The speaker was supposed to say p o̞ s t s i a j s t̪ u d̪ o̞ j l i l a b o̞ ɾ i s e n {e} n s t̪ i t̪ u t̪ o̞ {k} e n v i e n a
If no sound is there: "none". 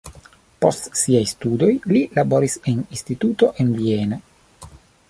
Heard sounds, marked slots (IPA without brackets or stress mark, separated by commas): i, ʔ